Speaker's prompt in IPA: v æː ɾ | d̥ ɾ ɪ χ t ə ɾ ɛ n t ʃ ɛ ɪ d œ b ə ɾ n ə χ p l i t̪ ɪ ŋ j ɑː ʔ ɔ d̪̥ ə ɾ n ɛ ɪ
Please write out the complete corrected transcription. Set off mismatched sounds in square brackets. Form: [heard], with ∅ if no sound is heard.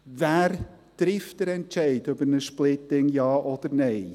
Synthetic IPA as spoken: v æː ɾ | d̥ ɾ ɪ [f] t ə ɾ ɛ n t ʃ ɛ ɪ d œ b ə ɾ n ə [ʃ] p l [ɪ] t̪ ɪ ŋ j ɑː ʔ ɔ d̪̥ ə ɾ n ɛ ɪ

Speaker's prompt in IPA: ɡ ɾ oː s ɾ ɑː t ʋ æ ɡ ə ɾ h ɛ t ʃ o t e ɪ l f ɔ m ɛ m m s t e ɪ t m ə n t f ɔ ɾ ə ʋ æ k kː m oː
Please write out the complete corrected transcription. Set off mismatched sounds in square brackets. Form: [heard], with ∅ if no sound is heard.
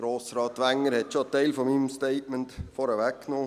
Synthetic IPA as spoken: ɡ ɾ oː s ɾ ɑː t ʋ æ [ŋ] ə ɾ h ɛ t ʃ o t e ɪ l f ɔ m [i] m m s t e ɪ t m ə n t f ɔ ɾ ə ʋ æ k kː [n] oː

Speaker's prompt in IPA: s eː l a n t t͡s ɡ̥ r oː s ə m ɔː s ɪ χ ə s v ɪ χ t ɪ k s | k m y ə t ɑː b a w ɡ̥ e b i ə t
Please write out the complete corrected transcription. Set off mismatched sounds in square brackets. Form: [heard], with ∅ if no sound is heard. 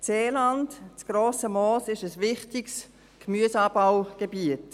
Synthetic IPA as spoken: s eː l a n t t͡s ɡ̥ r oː s ə m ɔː s ɪ [ʃ] ə s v ɪ χ t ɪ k s | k m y ə [s] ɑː b a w ɡ̥ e b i ə t

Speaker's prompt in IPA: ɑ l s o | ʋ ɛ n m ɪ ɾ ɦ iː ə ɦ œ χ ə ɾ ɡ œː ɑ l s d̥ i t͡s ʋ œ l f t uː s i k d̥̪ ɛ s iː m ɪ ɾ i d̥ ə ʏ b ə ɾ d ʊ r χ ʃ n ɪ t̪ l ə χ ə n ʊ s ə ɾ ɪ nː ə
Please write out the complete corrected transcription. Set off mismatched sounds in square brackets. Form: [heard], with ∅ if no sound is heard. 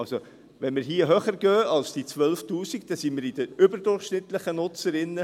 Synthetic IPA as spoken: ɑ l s o | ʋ ɛ n m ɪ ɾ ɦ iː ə ɦ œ χ ə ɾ ɡ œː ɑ l s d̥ i t͡s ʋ œ l f t uː s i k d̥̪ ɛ s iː m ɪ ɾ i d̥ ə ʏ b ə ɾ d ʊ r χ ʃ n ɪ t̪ l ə χ ə n ʊ [t͡s] ə ɾ ɪ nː ə

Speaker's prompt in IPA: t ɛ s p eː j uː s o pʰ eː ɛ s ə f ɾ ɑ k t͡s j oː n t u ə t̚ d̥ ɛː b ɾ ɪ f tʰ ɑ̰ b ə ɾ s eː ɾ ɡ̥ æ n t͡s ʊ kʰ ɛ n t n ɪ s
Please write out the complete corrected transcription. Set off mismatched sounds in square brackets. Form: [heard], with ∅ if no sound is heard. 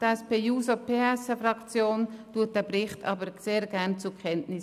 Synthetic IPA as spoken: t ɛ s p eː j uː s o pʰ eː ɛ s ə f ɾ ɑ k t͡s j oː n t u ə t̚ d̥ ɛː b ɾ ɪ [χ] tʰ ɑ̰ b ə ɾ s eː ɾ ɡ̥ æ n t͡s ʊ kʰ ɛ n t n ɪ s

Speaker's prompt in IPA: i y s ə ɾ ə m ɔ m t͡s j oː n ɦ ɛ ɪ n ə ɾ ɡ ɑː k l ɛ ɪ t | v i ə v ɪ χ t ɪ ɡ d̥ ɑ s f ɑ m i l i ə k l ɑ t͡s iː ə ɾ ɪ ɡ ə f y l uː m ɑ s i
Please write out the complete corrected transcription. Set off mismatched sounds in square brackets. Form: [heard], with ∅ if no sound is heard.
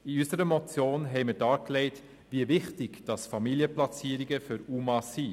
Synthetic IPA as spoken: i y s ə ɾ ə m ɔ [∅] t͡s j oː n ɦ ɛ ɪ [m] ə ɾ [d] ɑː k l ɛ ɪ t | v i ə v ɪ χ t ɪ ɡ d̥ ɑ s f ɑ m i l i ə [p] l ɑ t͡s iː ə ɾ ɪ ɡ ə f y [ɾ] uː m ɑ s i

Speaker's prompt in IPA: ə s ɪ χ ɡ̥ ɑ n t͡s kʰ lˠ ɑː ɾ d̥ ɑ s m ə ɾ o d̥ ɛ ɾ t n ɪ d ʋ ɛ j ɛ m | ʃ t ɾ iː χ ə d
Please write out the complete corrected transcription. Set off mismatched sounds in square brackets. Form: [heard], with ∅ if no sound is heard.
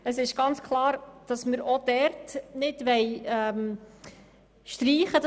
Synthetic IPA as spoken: ə s ɪ [ʃ] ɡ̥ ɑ n t͡s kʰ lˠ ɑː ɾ d̥ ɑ s m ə ɾ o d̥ ɛ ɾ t n ɪ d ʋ ɛ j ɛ m | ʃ t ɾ iː χ ə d

